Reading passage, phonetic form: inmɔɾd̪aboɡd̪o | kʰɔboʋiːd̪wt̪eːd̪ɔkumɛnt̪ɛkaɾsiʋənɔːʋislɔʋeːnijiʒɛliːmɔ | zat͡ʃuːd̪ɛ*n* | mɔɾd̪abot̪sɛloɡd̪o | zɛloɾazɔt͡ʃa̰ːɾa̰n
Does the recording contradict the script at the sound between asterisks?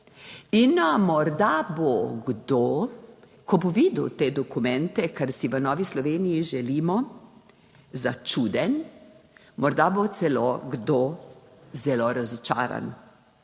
no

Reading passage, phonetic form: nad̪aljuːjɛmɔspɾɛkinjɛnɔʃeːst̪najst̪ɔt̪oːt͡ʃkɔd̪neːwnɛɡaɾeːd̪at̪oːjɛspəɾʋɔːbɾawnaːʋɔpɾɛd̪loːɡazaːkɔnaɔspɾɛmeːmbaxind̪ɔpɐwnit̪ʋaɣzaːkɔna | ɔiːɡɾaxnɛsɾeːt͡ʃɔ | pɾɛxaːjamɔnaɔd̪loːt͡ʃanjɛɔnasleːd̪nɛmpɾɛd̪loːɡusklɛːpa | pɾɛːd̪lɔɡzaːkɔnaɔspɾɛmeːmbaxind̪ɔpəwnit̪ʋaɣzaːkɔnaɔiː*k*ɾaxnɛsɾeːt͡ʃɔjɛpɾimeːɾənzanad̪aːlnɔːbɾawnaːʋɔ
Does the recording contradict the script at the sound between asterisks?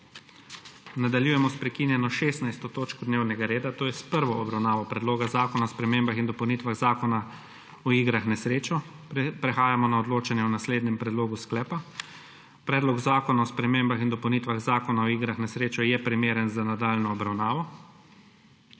yes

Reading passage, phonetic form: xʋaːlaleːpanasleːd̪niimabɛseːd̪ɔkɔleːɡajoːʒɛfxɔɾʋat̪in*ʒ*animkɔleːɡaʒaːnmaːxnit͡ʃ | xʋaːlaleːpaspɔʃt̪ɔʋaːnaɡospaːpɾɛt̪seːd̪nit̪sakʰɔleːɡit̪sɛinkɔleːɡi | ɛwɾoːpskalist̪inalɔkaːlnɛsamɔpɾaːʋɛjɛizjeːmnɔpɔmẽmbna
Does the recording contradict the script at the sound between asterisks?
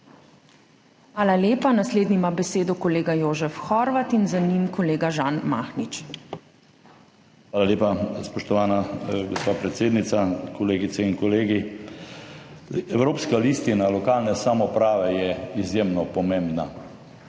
yes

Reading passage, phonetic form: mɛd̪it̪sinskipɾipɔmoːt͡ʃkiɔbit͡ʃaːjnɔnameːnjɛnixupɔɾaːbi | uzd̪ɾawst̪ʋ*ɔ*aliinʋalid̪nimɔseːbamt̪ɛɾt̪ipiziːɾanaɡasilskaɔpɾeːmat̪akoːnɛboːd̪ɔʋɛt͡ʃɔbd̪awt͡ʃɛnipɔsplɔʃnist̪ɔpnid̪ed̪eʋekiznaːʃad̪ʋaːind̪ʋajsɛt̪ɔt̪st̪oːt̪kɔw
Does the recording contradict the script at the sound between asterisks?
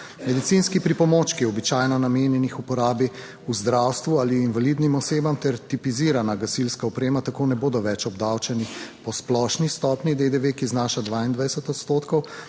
yes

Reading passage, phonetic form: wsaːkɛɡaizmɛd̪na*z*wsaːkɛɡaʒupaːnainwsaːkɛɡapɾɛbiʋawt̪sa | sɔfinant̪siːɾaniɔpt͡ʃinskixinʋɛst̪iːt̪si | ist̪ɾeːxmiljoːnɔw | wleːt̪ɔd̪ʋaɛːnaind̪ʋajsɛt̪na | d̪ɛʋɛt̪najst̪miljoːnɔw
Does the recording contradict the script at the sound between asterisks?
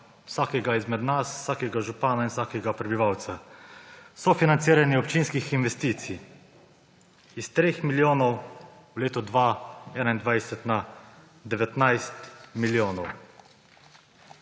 yes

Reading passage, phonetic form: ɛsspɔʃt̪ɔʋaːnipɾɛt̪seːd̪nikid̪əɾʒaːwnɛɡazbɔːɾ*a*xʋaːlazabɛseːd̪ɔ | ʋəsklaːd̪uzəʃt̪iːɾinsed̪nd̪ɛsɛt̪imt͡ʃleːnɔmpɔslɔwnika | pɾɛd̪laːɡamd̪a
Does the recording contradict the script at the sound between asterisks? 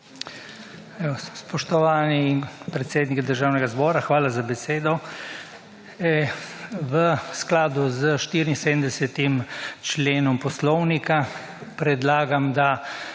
no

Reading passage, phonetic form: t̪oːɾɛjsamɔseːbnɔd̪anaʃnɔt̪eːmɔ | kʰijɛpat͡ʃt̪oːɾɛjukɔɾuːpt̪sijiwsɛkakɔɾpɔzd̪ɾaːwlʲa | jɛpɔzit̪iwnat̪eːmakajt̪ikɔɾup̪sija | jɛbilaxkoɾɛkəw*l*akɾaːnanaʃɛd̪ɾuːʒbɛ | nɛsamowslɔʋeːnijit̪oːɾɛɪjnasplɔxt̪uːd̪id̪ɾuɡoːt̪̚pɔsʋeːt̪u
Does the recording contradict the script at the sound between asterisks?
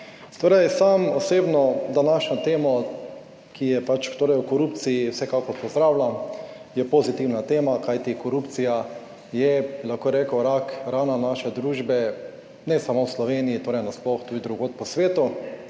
yes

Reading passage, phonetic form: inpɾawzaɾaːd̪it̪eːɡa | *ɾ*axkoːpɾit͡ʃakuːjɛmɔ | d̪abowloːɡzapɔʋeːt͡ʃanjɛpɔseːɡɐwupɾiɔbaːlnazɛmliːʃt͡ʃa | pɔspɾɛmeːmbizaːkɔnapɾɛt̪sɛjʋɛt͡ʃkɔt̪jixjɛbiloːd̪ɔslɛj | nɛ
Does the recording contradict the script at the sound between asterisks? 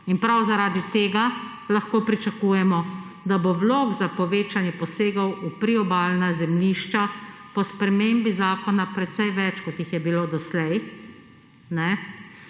yes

